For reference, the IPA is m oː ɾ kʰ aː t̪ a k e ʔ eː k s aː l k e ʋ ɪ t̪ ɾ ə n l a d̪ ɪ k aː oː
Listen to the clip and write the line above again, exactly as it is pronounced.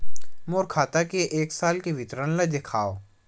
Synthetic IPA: m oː ɾ kʰ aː t̪ a k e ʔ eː k s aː l k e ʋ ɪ t̪ ɾ ə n l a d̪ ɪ kʰ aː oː